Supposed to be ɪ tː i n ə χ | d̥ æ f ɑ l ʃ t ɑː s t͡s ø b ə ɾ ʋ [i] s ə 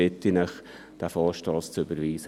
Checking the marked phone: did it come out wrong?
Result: yes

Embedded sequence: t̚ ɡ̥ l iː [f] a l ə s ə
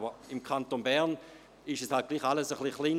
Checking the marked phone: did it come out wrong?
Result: yes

